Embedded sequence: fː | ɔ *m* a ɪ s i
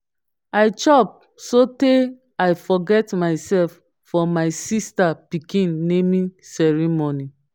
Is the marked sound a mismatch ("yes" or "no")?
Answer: no